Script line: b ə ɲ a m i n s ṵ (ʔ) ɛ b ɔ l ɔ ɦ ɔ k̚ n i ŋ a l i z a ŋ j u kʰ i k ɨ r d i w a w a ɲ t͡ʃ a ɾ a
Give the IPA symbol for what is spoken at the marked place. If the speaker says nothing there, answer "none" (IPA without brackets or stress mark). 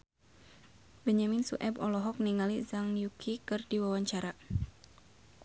ʔ